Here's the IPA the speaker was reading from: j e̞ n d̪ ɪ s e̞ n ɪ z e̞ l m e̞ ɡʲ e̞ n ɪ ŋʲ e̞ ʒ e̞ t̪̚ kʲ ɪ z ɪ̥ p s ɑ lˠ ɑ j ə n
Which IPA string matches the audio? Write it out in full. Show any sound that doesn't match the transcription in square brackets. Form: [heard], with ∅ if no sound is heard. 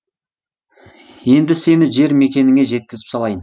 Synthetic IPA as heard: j e̞ n d̪ ɪ s e̞ n ɪ [ʒ] e̞ [ɾ] m e̞ [kʲ] e̞ n ɪ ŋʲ e̞ ʒ e̞ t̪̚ kʲ ɪ z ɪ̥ p s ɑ lˠ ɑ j ə n